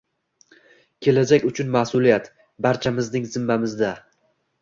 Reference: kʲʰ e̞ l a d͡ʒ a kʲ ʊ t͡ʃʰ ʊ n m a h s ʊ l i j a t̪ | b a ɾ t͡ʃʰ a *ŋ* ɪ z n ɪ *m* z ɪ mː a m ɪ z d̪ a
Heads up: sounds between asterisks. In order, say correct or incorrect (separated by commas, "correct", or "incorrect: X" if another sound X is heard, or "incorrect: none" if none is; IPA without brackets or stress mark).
incorrect: m, incorrect: ŋ